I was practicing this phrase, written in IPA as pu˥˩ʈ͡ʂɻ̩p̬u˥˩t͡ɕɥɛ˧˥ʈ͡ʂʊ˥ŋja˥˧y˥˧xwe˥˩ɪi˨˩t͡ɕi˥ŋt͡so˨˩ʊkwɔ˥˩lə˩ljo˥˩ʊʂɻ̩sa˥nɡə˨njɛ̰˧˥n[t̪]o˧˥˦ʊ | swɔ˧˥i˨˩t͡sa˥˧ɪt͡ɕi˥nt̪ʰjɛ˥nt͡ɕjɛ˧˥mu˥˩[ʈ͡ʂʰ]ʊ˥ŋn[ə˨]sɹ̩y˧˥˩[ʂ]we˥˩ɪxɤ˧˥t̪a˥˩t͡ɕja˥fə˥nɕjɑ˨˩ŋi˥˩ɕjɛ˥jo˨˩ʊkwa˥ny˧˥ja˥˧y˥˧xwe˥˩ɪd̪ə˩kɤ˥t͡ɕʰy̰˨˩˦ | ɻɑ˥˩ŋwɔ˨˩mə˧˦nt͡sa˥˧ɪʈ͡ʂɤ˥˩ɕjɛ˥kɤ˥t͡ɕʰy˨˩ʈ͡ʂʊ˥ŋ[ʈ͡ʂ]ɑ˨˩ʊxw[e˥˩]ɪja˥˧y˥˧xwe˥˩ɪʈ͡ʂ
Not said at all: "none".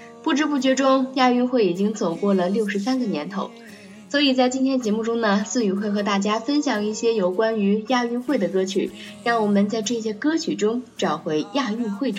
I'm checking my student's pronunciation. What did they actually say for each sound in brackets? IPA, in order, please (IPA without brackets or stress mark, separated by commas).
t̪ʰ, ʈ͡ʂ, ə˨, x, ʈ͡ʂ, e˧˥